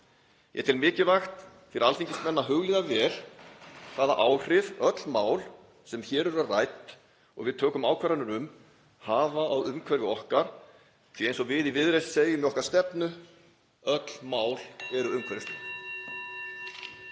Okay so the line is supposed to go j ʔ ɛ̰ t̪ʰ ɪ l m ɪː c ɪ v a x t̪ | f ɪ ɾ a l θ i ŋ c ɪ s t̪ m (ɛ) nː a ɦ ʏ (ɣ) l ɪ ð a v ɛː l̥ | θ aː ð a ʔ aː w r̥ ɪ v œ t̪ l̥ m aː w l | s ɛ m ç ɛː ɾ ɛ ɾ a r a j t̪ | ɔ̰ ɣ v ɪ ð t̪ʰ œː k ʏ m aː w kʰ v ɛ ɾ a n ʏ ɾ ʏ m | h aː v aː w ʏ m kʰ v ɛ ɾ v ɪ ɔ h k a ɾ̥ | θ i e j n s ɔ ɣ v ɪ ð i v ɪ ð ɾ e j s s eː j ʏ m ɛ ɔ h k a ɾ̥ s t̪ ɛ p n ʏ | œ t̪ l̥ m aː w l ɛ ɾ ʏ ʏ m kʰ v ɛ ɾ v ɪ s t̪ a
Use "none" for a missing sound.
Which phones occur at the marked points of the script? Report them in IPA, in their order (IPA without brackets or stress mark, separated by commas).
ɛ, ɣ